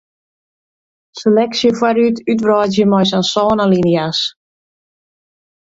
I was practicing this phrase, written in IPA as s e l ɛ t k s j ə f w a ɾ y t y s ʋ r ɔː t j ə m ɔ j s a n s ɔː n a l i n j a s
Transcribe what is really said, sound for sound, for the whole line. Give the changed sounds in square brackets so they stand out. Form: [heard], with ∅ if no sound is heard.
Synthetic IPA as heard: s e l ɛ [∅] k s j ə f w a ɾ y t y [t] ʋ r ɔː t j ə m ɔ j s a n s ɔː n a l i n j a s

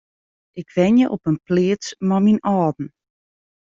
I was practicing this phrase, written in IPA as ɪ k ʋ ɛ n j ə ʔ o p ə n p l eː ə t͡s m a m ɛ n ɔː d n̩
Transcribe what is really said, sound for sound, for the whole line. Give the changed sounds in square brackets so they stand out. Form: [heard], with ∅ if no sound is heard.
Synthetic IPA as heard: ɪ k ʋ ɛ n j ə ʔ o p ə n p l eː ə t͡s m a m [i] n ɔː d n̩

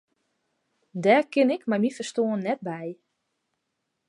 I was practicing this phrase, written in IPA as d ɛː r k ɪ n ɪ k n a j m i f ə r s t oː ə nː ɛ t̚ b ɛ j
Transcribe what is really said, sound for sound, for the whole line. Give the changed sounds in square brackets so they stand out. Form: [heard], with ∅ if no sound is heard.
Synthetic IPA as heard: d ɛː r k ɪ n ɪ k [m] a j m i f ə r s t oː ə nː ɛ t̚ b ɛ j

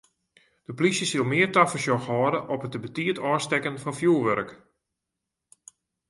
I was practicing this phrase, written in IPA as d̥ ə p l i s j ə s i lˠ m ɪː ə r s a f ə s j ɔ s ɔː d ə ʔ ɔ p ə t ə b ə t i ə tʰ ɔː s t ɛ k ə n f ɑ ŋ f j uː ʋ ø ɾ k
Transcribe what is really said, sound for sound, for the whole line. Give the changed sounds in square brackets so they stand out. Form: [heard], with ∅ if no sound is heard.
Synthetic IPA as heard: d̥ ə p l i s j ə s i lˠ m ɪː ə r [t] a f ə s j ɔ [x] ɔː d ə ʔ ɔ p ə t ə b ə t i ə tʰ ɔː s t ɛ k ə n f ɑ [n] f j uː ʋ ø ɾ k

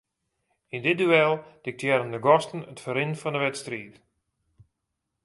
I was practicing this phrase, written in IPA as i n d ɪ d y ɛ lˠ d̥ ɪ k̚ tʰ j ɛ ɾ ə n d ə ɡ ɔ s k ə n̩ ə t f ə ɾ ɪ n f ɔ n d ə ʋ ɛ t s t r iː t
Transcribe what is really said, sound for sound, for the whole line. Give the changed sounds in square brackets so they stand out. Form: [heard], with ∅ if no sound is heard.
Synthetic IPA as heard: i n d ɪ d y ɛ lˠ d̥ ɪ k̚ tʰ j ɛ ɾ ə n d ə ɡ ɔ s [t] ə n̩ ə t f ə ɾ ɪ n f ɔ n d ə ʋ ɛ t s t r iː t

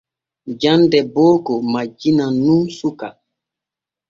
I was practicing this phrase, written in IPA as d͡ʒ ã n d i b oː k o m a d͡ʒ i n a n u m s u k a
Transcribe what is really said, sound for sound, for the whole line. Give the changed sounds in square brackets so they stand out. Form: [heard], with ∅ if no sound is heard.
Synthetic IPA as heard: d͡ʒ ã n d [ɛ] b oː k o m a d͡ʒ i n a n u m s u k a

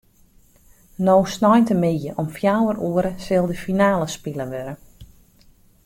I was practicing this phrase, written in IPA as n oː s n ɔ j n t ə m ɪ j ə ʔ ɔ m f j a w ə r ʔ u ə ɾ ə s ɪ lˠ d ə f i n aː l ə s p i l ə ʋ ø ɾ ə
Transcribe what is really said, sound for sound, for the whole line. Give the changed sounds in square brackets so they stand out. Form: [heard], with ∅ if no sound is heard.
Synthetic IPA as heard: n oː s n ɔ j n t ə m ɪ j ə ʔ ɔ m f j a w ə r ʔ u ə ɾ ə s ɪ lˠ d ə f i n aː l ə s p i l ə ʋ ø ɾ ə

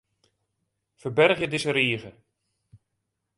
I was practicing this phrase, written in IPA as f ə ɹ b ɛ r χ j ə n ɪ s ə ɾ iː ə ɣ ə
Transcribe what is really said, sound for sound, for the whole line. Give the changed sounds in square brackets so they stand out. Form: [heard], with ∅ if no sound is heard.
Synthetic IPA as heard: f ə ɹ b ɛ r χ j ə [d] ɪ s ə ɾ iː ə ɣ ə

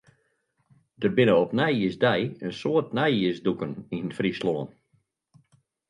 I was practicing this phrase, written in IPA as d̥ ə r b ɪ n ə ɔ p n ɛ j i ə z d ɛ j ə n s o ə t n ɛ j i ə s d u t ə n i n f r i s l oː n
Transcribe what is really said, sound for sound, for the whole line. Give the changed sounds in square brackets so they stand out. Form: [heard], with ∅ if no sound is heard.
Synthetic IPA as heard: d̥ ə r b ɪ n ə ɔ p n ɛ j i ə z d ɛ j ə n s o ə t n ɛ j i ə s d u [k] ə n i n f r i s l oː n

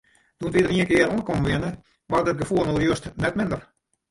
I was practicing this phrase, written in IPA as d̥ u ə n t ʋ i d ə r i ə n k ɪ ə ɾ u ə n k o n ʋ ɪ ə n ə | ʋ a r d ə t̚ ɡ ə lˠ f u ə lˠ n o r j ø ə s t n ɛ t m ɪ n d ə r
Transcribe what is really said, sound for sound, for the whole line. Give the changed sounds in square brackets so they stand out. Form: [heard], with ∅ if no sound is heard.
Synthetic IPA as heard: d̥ u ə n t ʋ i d ə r i ə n k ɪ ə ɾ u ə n k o [m] ʋ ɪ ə n ə | ʋ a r d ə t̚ ɡ ə [∅] f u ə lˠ n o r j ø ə s t n ɛ t m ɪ n d ə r

